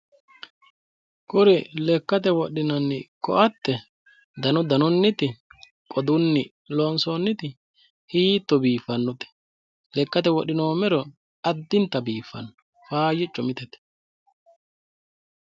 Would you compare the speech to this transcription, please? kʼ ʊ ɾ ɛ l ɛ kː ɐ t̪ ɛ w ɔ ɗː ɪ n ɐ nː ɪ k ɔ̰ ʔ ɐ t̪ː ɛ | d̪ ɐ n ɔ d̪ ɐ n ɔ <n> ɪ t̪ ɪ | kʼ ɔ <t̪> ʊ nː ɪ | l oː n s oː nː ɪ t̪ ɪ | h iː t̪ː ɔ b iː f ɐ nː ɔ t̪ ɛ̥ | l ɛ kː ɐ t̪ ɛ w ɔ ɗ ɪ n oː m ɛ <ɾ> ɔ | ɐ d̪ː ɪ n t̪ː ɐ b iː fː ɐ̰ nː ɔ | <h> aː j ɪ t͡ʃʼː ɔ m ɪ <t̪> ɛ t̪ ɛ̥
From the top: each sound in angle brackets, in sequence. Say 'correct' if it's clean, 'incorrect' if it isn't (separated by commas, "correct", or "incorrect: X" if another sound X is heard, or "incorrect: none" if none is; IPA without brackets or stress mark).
incorrect: nː, incorrect: d̪, correct, incorrect: f, correct